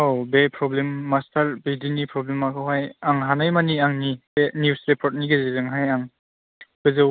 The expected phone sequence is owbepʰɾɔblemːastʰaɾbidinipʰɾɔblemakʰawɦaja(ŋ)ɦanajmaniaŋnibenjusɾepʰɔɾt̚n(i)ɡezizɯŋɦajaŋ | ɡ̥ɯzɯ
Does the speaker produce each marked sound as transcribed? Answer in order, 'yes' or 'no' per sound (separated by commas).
yes, yes